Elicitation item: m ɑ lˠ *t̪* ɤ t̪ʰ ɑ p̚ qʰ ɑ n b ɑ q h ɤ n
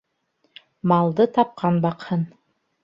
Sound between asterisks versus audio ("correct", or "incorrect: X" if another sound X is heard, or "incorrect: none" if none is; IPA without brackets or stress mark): incorrect: d̪